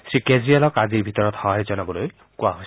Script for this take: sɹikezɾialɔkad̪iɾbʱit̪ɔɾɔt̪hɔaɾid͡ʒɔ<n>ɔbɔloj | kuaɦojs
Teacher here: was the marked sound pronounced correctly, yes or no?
yes